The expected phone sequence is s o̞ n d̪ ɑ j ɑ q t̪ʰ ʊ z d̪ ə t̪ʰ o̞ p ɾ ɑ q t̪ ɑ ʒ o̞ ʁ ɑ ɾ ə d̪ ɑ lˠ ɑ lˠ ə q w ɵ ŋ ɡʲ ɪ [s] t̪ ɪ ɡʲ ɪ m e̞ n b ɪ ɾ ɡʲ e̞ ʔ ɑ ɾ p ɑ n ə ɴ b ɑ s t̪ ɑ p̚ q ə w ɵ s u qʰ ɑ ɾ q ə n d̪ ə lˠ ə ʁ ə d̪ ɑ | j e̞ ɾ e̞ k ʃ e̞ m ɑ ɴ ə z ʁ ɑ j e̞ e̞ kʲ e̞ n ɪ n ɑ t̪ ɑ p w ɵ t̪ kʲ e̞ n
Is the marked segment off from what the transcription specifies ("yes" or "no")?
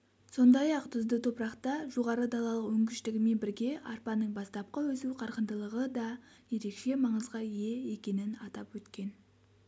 yes